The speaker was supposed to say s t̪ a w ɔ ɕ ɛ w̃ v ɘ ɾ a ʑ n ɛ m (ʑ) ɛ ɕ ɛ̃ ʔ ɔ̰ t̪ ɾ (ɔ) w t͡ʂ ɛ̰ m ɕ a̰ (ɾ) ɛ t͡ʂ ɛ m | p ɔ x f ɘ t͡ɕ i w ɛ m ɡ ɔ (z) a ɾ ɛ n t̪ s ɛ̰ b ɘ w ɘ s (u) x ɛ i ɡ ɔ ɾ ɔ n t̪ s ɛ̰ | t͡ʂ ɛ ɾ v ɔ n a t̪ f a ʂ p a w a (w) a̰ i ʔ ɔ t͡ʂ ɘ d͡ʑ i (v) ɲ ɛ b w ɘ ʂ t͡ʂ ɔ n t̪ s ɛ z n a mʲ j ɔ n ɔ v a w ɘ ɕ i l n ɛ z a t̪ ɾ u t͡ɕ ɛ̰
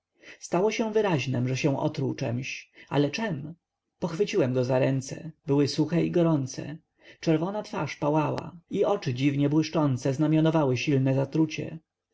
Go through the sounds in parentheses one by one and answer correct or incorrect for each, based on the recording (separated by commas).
incorrect, incorrect, incorrect, correct, correct, correct, correct